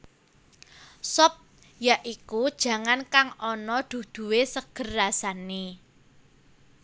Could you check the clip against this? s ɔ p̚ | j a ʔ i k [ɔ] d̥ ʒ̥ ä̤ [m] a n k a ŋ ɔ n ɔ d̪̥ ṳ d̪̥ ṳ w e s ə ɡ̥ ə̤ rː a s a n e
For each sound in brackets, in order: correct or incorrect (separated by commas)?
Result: incorrect, incorrect